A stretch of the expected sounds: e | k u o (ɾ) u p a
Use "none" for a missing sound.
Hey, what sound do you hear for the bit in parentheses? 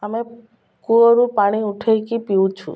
ɾ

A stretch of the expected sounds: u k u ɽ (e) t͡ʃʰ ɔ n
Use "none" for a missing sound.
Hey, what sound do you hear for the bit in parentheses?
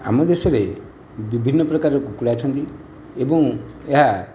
a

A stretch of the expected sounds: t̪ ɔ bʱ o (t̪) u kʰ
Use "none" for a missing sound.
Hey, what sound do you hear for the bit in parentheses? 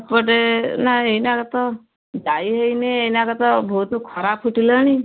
t̪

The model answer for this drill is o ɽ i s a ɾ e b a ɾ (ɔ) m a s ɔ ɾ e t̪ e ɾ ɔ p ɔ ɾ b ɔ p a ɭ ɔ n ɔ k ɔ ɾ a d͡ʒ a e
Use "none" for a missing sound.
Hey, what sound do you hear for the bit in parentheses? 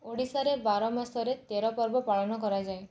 ɔ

